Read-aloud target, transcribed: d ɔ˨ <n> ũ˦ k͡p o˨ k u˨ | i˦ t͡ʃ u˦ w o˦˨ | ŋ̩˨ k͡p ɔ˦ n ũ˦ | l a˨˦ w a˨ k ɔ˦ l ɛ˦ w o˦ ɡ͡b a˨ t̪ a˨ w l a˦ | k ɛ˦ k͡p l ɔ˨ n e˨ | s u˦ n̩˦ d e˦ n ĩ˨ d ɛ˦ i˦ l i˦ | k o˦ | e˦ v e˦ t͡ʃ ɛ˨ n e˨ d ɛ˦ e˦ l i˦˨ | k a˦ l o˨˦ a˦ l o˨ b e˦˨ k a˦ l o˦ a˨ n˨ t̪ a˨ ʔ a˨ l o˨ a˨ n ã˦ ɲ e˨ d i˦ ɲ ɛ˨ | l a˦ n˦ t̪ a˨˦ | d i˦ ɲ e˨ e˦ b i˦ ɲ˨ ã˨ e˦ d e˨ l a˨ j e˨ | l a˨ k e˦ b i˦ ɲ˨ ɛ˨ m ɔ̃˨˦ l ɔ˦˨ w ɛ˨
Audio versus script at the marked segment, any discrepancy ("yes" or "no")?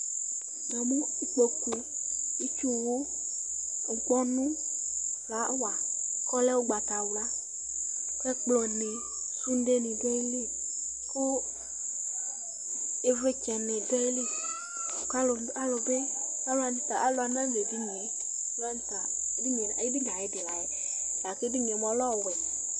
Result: yes